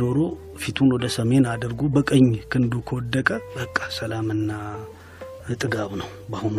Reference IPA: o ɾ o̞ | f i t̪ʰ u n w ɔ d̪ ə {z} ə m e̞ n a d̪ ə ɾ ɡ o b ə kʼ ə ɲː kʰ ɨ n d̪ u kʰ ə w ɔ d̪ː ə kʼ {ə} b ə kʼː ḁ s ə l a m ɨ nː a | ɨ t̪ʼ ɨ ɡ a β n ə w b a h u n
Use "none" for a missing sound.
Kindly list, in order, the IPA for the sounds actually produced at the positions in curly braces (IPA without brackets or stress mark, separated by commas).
s, ə